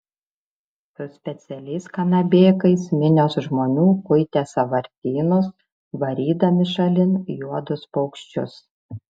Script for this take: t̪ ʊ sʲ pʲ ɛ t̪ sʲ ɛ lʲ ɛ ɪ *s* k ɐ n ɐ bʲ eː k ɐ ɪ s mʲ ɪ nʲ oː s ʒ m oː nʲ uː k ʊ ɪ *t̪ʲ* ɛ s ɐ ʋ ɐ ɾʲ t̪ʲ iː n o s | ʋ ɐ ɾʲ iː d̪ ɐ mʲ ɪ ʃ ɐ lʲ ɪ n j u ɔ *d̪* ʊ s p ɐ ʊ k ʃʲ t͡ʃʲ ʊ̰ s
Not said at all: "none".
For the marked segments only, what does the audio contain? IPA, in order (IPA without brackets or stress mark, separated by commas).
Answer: s, t̪ʲ, d̪